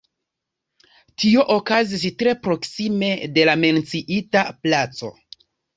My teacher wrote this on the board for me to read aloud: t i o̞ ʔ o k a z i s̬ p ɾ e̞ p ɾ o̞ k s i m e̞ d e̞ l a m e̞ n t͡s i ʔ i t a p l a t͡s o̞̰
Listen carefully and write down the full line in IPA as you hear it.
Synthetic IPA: t i o̞ ʔ o k a z i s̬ t ɾ e̞ p ɾ o̞ k s i m e̞ d e̞ l a m e̞ n t͡s i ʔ i t a p l a t͡s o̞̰